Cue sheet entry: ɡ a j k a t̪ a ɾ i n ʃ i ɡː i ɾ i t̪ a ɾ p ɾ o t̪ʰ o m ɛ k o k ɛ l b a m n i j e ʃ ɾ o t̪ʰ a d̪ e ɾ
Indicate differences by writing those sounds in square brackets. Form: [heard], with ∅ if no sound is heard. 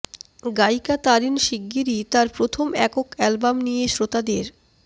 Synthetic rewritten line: ɡ a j k a t̪ a ɾ i n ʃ i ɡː i ɾ i t̪ a ɾ p ɾ o t̪ʰ o m ɛ k o k ɛ l b a m n i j e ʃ ɾ o [t̪] a d̪ e ɾ